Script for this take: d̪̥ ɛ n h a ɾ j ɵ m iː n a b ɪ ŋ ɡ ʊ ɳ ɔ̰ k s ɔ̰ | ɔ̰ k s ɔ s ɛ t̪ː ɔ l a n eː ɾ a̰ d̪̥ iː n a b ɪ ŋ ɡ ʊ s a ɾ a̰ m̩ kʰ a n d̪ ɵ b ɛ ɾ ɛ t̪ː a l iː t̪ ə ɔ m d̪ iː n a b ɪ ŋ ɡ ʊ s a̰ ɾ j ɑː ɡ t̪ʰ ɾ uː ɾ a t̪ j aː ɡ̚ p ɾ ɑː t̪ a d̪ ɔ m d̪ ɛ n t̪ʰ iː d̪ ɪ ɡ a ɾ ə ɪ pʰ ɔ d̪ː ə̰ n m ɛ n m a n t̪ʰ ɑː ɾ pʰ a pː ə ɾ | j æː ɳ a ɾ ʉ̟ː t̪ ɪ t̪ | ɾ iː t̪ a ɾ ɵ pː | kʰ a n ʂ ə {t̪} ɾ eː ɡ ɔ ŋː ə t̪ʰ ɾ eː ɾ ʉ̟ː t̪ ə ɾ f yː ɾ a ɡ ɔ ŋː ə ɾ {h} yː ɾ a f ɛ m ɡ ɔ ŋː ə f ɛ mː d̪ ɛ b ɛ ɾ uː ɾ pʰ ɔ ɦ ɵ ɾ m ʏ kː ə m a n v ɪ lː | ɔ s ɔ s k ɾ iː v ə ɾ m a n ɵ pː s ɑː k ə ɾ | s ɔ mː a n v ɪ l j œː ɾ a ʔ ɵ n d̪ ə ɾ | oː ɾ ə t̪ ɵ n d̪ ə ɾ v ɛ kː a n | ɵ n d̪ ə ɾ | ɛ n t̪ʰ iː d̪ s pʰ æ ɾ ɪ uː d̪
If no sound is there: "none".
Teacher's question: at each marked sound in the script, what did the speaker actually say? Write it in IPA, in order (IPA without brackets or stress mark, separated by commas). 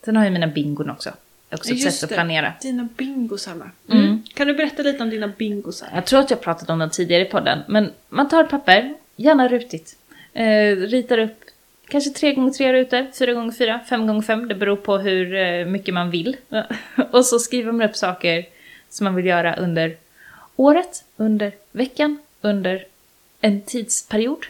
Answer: t̪ʰ, f